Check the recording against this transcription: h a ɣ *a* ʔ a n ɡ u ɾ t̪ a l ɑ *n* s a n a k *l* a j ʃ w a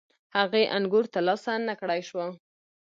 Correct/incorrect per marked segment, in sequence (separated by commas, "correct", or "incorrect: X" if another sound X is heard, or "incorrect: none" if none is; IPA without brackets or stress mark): incorrect: e, incorrect: none, incorrect: ɽ